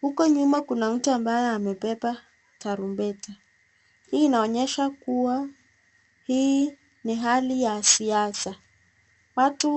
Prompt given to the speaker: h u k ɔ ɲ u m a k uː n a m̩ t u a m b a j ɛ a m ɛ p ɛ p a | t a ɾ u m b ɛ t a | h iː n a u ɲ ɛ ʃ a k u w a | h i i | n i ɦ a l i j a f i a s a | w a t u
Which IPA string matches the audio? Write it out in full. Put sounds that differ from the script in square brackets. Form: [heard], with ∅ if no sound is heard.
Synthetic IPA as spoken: h u k ɔ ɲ u m a k [u] n a m̩ t u a m b a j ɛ a m ɛ p ɛ p a | t a ɾ u m b ɛ t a | h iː n a [ɔ] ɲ ɛ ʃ a k u w a | h i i | n i ɦ a l i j a [s] i a s a | w a t u